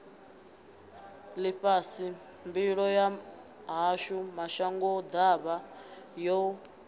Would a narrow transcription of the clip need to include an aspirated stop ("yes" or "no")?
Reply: no